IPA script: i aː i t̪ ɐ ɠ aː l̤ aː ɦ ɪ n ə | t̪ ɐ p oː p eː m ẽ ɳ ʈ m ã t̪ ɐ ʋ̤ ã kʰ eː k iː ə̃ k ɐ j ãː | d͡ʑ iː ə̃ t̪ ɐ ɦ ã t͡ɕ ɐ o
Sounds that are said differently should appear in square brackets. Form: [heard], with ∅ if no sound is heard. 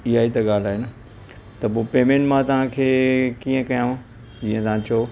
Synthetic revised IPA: i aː i t̪ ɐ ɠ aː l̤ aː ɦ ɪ n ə | t̪ ɐ p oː p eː m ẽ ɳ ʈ m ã t̪ ɐ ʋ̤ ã kʰ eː k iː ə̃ k ɐ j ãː | d͡ʑ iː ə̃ t̪ ɐ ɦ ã t͡ɕ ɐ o